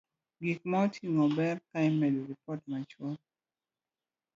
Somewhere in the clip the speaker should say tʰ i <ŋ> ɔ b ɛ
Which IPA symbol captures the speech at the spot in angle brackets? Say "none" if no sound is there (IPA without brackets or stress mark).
ŋ